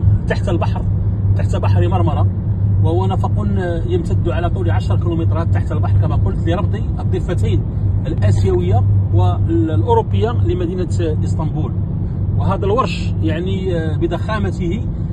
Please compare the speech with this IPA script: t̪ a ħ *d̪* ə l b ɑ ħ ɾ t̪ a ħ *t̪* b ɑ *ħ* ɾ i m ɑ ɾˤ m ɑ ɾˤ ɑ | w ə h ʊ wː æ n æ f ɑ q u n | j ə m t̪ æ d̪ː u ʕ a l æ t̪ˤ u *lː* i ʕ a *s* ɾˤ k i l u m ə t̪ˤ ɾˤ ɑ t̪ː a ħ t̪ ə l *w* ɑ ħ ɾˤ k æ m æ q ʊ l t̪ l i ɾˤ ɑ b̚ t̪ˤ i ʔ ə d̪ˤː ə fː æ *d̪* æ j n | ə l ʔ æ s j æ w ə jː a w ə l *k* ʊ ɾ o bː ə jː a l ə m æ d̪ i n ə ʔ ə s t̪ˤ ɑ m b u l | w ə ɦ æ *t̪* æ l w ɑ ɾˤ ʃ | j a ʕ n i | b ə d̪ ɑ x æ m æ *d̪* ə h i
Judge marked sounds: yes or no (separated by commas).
no, yes, yes, no, no, no, no, no, no, no